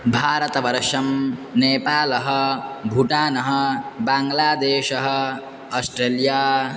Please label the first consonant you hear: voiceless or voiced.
voiced